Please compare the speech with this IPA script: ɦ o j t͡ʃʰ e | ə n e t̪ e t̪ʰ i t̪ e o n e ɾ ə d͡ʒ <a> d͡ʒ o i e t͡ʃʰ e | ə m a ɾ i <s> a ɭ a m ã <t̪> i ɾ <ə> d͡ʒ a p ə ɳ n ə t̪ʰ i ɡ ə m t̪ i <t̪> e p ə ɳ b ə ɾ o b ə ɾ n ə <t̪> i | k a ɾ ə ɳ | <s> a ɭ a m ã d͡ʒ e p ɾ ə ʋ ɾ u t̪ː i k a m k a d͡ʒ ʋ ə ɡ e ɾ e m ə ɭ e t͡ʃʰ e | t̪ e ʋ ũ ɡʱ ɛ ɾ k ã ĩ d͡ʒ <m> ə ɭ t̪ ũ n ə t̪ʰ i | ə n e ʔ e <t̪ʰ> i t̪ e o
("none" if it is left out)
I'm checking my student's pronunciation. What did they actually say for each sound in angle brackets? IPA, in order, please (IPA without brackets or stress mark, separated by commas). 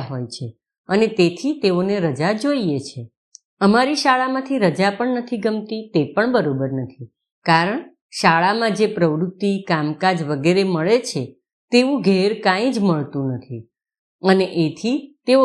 a, ʃ, t̪ʰ, ə, t̪, t̪ʰ, ʃ, m, t̪ʰ